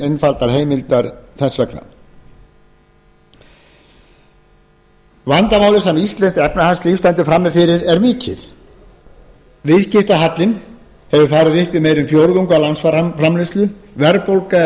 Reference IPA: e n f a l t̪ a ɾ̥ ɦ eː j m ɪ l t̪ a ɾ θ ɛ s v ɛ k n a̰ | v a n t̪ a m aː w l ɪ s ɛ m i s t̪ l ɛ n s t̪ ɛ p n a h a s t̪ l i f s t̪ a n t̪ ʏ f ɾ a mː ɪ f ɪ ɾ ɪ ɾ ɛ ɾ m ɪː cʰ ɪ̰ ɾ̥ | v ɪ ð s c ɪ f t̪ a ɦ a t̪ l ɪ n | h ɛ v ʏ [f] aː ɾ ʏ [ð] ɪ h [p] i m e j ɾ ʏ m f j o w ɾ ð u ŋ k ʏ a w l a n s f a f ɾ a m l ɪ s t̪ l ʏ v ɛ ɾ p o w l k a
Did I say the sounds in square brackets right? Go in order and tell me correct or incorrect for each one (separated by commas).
correct, correct, correct